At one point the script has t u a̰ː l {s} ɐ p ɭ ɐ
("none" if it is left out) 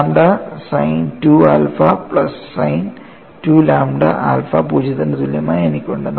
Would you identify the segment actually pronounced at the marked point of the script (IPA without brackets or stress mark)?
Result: f